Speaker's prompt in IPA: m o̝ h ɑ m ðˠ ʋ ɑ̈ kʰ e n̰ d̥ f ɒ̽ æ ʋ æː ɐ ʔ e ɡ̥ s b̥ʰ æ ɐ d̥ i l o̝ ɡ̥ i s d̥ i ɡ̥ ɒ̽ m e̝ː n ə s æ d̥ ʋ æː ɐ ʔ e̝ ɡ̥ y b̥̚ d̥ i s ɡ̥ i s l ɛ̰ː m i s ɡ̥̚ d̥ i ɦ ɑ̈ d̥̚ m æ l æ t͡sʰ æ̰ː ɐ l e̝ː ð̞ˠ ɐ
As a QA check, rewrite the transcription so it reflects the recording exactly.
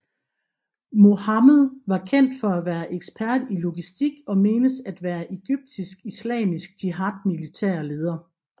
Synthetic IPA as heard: m o̝ h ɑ m ðˠ ʋ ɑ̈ kʰ e n̰ d̥ f ɒ̽ æ ʋ æː ɐ ʔ e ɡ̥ s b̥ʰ æ ɐ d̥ i l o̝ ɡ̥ i s d̥ i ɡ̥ ɒ̽ m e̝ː n ə s æ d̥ ʋ æː ɐ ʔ e̝ ɡ̥ y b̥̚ d̥ i s ɡ̥ i s l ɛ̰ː m i s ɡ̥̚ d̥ i ɦ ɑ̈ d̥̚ m i l i t͡sʰ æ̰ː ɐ l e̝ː ð̞ˠ ɐ